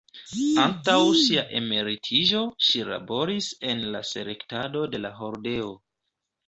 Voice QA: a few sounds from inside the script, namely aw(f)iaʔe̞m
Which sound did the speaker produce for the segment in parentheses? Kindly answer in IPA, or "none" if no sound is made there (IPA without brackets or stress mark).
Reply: ʃ